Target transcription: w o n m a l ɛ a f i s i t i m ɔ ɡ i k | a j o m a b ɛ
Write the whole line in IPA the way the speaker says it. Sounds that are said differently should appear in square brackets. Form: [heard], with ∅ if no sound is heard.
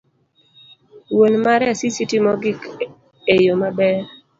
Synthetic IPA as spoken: w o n m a [ɾ] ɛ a [s] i s i t i m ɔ ɡ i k | [e] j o m a b ɛ